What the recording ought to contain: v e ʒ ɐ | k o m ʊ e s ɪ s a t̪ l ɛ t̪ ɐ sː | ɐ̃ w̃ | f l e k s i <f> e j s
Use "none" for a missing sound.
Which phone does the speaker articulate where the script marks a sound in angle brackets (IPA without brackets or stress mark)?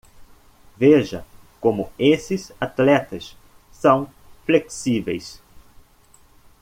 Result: v